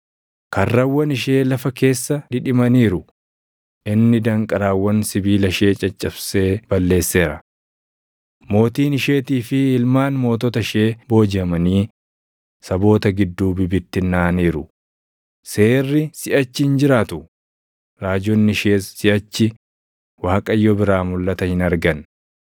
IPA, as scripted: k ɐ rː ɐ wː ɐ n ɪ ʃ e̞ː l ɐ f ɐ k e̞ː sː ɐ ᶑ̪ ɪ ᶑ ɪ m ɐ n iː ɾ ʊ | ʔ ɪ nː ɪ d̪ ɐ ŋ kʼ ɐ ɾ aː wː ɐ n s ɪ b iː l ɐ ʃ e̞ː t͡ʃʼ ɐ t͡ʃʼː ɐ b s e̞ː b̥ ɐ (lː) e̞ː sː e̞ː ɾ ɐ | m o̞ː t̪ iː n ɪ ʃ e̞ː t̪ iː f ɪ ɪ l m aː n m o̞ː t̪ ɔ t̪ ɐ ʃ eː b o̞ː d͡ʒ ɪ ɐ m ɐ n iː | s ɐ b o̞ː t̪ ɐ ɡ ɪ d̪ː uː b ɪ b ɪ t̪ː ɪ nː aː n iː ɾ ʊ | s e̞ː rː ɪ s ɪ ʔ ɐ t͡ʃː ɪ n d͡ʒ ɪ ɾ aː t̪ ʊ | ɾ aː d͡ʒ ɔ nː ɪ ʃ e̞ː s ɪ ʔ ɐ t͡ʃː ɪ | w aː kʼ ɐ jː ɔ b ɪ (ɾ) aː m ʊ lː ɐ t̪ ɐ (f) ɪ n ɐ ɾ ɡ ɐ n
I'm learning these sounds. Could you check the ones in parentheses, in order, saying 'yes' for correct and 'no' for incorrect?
yes, yes, no

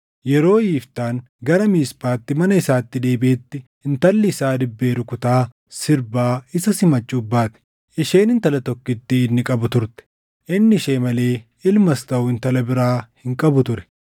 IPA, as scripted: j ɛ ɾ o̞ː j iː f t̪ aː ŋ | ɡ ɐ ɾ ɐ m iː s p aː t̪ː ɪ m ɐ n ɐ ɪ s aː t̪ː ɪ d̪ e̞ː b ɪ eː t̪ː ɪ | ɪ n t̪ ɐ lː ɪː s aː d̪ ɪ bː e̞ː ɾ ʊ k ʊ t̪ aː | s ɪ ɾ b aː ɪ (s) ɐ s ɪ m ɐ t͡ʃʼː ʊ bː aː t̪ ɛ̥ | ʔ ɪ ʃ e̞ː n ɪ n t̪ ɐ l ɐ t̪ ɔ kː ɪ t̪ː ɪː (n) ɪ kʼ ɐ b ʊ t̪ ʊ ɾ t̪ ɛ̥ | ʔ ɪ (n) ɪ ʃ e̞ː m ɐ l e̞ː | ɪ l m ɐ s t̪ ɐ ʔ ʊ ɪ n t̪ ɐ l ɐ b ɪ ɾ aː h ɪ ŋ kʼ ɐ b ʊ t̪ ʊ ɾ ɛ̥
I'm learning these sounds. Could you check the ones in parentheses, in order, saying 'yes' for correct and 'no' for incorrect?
yes, no, no

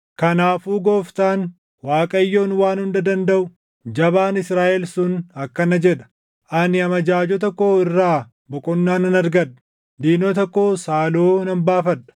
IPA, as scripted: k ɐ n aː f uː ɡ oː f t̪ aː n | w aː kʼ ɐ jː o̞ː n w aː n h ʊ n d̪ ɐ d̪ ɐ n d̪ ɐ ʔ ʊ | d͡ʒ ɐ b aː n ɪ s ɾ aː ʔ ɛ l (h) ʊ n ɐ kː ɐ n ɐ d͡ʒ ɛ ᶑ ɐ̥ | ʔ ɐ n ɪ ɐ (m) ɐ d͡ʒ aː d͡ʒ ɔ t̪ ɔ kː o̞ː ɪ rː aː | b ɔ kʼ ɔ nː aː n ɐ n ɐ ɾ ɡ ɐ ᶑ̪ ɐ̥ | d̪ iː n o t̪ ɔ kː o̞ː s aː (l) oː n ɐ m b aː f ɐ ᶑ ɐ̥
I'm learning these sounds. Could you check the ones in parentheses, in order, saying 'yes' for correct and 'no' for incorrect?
no, yes, yes

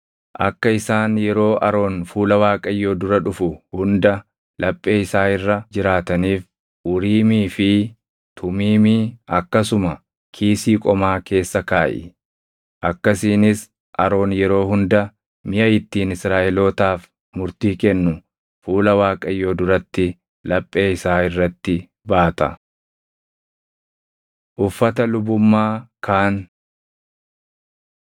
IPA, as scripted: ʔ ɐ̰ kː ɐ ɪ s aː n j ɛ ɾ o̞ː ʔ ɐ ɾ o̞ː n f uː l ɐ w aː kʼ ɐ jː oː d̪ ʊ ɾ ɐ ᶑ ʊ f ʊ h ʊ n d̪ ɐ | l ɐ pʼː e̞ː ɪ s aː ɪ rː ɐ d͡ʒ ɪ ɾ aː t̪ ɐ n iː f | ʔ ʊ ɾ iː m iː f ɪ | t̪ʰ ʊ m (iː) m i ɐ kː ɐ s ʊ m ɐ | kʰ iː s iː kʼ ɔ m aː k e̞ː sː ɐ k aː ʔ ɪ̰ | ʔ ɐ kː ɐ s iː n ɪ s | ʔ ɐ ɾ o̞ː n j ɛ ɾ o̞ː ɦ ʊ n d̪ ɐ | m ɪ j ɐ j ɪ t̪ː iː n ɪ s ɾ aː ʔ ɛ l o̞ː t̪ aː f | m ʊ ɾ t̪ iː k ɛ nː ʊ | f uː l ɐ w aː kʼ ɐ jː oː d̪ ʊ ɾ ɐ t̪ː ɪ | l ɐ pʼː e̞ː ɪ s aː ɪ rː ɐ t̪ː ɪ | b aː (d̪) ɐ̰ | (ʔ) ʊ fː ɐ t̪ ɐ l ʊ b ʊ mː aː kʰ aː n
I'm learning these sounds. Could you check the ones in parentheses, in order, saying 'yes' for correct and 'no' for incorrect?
yes, no, yes

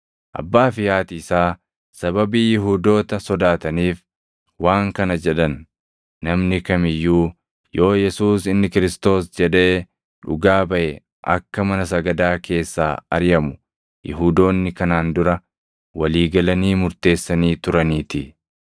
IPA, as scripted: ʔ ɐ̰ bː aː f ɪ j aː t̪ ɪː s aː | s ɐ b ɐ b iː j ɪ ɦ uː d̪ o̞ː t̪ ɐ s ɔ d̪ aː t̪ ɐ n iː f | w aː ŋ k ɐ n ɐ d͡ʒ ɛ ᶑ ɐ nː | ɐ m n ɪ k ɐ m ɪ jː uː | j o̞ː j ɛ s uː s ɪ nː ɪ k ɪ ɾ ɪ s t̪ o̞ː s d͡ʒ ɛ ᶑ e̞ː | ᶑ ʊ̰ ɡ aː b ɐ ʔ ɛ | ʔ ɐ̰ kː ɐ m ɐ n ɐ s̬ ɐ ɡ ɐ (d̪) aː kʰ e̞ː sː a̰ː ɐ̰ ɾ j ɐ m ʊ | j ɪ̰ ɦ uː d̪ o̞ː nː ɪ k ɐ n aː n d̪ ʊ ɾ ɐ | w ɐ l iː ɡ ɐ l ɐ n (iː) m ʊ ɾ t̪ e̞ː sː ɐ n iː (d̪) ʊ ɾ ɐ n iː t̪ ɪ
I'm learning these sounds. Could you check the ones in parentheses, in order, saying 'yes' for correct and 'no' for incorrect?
yes, yes, no

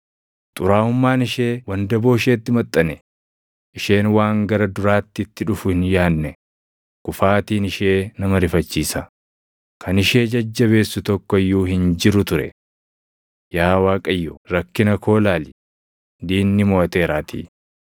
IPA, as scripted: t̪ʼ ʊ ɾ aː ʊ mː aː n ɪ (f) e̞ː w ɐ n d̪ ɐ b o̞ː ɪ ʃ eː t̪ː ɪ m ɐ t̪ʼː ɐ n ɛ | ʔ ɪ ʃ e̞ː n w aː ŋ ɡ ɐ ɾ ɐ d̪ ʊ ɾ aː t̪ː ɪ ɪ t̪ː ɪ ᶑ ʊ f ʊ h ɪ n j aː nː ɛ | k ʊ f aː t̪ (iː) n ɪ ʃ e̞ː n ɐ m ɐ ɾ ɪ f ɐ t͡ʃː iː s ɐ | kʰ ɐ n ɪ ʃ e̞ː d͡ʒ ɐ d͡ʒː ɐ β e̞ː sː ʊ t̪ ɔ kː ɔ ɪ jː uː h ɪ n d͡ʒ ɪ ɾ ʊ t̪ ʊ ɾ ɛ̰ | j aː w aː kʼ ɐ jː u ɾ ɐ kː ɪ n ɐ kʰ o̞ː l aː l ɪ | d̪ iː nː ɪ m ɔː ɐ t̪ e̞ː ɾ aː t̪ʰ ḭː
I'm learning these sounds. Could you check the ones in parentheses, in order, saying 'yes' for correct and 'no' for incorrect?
no, yes

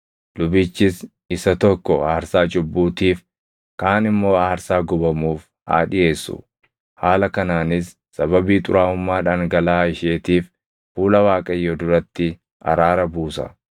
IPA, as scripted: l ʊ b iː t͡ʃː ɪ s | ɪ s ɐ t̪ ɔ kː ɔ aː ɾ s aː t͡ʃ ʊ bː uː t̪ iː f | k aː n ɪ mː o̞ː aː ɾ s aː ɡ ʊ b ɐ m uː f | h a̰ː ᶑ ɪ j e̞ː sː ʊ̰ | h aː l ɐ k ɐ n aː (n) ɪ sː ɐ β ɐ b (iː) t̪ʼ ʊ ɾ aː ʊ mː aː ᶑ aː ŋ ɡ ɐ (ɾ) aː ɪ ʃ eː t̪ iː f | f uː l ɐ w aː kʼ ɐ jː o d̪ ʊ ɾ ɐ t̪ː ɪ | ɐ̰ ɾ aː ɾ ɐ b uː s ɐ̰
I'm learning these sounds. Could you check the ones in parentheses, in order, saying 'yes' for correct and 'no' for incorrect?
yes, yes, no

